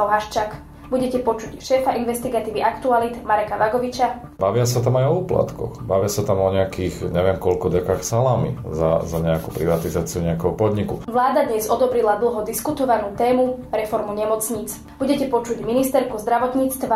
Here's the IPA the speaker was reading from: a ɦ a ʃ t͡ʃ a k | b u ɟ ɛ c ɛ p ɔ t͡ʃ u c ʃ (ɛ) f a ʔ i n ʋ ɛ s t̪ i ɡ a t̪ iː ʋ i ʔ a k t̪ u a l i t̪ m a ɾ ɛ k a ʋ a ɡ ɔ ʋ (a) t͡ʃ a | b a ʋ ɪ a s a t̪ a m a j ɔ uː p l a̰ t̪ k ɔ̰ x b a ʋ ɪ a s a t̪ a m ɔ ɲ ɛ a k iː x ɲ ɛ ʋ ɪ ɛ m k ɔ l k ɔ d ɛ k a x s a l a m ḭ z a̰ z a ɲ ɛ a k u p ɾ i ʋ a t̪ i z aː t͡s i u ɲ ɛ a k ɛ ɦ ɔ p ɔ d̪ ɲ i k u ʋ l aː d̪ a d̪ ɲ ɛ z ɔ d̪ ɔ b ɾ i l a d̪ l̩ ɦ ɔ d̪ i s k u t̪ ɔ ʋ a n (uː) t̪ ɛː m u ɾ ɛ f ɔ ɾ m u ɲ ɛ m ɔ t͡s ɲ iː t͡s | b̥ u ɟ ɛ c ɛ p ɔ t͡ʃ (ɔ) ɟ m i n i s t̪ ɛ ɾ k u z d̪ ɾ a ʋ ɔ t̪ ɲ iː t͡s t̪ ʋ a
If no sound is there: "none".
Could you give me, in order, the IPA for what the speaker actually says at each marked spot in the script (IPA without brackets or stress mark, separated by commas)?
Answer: ɛː, i, uː, u